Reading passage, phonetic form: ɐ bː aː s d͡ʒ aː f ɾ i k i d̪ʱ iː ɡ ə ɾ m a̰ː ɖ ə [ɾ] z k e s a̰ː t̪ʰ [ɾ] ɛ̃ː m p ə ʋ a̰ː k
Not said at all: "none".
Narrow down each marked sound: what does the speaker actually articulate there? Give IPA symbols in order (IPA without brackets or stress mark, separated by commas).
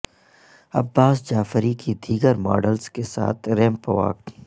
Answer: l, ɾ